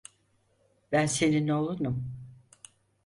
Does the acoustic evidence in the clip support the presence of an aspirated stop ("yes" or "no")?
no